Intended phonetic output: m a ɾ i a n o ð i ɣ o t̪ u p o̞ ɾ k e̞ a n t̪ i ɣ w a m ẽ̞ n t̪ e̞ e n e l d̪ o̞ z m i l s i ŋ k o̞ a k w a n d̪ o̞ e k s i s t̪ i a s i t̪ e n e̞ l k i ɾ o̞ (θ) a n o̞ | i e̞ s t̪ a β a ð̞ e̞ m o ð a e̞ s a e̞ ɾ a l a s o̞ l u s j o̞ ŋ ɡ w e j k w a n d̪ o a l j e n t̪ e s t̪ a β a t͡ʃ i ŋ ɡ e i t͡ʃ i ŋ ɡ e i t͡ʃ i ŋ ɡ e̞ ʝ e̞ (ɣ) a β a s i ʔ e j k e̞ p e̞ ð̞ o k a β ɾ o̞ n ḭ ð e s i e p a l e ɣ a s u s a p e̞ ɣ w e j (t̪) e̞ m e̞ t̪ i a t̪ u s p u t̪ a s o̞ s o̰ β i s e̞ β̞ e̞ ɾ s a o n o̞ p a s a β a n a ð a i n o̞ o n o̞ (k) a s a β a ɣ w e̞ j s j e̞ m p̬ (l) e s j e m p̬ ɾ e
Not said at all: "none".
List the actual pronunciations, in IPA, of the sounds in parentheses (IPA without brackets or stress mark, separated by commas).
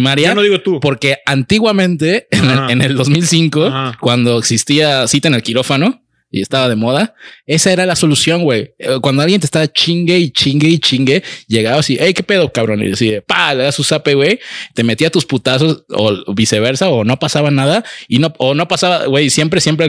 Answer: f, ɣ, t̪, p, ɾ